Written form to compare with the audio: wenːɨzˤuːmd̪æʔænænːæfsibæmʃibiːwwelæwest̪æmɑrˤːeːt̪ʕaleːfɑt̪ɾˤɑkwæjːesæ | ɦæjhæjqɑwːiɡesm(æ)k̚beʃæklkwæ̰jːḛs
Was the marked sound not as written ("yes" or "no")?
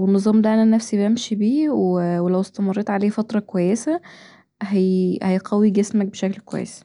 no